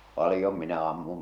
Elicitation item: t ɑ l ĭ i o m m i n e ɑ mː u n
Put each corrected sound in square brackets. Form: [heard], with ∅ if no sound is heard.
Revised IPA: [p] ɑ l ĭ [j] o m m i n [æ] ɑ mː u [m]